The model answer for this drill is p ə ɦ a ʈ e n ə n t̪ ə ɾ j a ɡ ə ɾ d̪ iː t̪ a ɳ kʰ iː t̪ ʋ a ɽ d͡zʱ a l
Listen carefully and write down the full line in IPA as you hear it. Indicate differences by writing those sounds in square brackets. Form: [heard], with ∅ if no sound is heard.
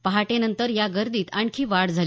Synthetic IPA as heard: p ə ɦ a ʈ e n ə n t̪ ə ɾ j a ɡ ə ɾ d̪ iː t̪ a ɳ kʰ iː [∅] ʋ a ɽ d͡zʱ a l